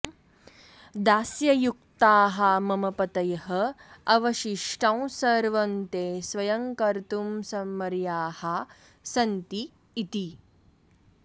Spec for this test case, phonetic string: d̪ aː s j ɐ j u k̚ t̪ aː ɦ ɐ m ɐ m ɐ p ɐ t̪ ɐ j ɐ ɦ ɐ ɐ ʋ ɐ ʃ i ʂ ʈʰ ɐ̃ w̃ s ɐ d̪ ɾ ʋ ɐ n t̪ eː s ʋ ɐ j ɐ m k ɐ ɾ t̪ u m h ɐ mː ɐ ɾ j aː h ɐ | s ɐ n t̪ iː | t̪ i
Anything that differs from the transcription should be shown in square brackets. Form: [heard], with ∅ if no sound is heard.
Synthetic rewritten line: d̪ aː s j ɐ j u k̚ t̪ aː ɦ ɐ m ɐ m ɐ p ɐ t̪ ɐ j ɐ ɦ ɐ ɐ ʋ ɐ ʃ i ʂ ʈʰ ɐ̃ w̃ s ɐ [∅] ɾ ʋ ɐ n t̪ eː s ʋ ɐ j ɐ [ŋ] k ɐ ɾ t̪ u m [s] ɐ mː ɐ ɾ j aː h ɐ | s ɐ n t̪ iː | t̪ i